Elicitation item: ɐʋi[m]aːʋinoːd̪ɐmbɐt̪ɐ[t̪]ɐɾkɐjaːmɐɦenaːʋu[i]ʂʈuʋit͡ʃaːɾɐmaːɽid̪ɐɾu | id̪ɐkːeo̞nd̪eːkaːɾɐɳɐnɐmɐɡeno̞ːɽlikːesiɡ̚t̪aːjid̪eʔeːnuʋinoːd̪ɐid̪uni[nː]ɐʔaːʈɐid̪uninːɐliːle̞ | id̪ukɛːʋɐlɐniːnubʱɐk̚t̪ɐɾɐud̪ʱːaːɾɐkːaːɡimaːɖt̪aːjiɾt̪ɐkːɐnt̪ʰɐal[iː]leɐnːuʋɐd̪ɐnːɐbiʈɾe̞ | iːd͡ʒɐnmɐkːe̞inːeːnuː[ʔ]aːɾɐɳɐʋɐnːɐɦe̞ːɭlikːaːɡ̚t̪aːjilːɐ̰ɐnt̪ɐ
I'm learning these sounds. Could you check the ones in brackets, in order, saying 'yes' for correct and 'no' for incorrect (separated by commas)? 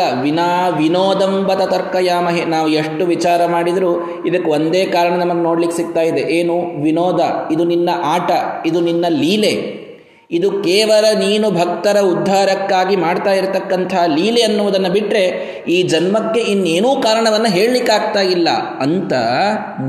no, yes, no, yes, yes, no